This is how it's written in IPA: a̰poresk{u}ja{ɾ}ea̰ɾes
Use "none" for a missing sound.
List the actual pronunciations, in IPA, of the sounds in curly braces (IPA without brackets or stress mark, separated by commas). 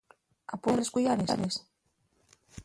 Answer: u, ɾ